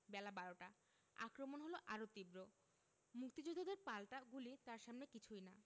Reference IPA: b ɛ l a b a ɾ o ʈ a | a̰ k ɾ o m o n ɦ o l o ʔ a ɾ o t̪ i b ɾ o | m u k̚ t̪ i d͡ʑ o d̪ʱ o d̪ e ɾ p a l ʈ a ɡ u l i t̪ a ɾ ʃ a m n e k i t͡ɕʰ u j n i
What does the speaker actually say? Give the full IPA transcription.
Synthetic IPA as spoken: b ɛ l a b a ɾ o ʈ a | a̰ k ɾ o m o n ɦ o l o ʔ a ɾ o t̪ i b ɾ o | m u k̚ t̪ i d͡ʑ o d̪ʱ o d̪ e ɾ p a l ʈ a ɡ u l i t̪ a ɾ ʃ a m n e k i t͡ɕʰ u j n a